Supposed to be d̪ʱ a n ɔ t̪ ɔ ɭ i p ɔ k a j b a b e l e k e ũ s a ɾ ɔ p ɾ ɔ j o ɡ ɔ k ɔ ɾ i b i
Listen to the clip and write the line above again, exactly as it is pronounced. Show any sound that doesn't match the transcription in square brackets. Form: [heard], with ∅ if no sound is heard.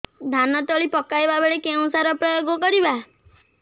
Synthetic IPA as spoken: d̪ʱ a n ɔ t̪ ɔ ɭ i p ɔ k a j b a b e [ɭ] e k e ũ s a ɾ ɔ p ɾ ɔ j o ɡ ɔ k ɔ ɾ i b [a]